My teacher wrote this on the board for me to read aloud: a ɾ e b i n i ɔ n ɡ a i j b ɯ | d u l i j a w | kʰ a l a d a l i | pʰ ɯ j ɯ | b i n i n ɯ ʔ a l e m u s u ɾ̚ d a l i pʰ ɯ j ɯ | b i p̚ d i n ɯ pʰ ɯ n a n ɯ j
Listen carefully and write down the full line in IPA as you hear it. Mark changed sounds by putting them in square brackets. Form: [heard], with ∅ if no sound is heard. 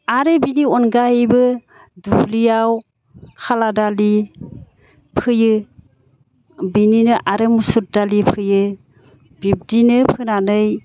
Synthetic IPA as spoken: a ɾ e b i n i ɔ n ɡ a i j b ɯ | d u l i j a w | kʰ a l a d a l i | pʰ ɯ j ɯ | b i n i n ɯ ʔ a [ɾ] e m u s u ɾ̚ d a l i pʰ ɯ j ɯ | b i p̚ d i n ɯ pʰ ɯ n a n ɯ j